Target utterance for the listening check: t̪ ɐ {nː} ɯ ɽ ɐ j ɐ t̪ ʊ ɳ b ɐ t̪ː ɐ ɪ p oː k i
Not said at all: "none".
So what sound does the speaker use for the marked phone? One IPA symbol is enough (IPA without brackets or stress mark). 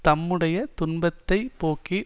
mː